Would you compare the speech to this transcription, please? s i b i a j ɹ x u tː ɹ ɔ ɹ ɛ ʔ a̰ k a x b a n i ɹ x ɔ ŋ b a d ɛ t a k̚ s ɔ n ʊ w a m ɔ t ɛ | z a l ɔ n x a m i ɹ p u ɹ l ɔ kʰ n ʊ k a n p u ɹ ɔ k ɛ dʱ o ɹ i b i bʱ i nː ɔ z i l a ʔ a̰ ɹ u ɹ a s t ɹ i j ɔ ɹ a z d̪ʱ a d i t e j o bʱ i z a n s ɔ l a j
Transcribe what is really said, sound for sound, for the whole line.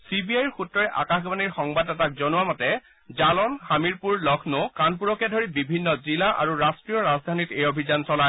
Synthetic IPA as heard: s i b i a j ɹ x u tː ɹ ɔ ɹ ɛ ʔ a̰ k a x b a n i ɹ x ɔ ŋ b a d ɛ t a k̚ z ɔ n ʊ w a m ɔ t ɛ | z a l ɔ n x a m i ɹ p u ɹ l ɔ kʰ n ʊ k a n p u ɹ ɔ k ɛ dʱ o ɹ i b i bʱ i nː ɔ z i l a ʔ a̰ ɹ u ɹ a s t ɹ i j ɔ ɹ a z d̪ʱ a n i t e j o bʱ i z a n s ɔ l a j